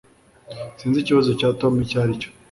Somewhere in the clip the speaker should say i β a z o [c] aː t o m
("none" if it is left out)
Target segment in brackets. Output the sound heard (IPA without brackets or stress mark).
c